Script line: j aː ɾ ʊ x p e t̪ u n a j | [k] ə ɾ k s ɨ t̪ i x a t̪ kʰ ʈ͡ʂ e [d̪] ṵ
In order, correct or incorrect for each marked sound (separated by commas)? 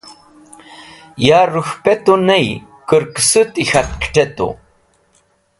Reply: correct, incorrect